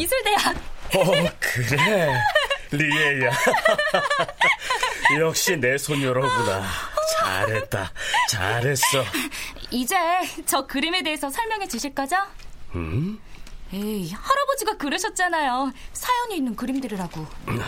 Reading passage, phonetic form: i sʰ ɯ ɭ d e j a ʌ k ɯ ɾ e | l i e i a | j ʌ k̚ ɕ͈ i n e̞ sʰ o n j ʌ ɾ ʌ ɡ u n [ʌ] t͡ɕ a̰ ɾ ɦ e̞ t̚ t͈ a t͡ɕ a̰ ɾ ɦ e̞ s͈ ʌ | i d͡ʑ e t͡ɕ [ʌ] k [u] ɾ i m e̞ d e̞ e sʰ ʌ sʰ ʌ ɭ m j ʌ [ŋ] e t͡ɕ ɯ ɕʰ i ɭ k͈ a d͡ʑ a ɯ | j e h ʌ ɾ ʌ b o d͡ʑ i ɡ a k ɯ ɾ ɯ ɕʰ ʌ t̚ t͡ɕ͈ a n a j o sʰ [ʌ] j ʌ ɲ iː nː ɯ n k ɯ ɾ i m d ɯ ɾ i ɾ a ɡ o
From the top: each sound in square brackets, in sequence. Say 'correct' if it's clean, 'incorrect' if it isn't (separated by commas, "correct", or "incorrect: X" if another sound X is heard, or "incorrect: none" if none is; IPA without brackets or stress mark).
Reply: incorrect: a, correct, incorrect: ɯ, correct, incorrect: a